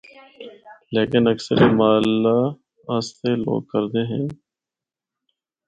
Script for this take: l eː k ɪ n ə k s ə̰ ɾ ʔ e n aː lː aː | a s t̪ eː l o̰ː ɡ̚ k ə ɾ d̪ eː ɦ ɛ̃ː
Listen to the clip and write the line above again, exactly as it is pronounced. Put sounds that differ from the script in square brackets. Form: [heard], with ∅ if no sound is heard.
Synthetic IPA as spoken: l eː k ɪ n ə k s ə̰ ɾ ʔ e [m] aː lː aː | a s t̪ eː l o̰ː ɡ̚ k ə ɾ d̪ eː ɦ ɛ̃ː